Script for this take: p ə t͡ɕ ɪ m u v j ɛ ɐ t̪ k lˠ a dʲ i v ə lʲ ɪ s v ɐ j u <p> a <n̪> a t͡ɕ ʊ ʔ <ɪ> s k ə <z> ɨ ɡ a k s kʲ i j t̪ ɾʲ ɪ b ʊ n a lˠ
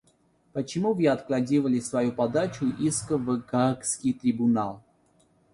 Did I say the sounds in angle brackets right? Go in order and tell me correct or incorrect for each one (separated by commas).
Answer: correct, incorrect, incorrect, incorrect